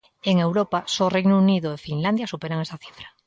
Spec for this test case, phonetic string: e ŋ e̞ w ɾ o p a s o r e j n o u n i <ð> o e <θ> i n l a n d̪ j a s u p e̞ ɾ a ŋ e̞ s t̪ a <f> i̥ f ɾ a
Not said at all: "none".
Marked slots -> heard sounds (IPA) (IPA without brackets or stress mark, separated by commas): ð, f, θ